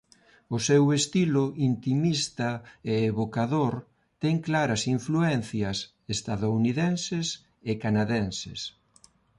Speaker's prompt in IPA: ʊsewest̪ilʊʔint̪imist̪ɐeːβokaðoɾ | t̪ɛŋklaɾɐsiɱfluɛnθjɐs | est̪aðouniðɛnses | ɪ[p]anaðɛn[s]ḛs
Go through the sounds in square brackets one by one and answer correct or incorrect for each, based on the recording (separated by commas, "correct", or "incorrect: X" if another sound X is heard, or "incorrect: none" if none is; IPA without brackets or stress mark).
incorrect: k, correct